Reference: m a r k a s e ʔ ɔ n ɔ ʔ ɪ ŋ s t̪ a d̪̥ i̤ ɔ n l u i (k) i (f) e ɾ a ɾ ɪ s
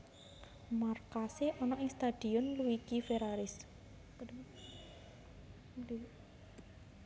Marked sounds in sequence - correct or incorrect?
correct, correct

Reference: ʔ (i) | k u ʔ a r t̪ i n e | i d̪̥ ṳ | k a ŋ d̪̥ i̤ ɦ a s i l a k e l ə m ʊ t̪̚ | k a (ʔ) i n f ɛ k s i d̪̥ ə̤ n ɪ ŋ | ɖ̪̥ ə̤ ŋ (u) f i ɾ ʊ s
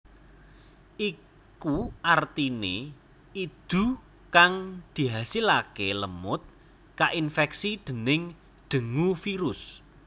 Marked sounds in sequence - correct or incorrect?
correct, correct, correct

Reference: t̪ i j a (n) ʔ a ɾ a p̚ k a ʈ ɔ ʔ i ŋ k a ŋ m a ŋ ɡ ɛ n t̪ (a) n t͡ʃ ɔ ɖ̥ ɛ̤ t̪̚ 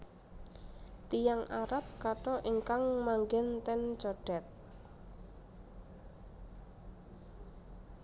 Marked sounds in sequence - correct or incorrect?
incorrect: ŋ, incorrect: ɛ

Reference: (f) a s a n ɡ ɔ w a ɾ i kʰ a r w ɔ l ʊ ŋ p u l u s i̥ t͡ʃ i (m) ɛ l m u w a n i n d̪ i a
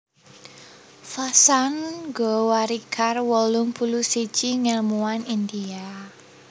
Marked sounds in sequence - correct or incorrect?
correct, incorrect: ŋ

